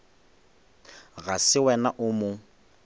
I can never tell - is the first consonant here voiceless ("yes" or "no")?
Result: no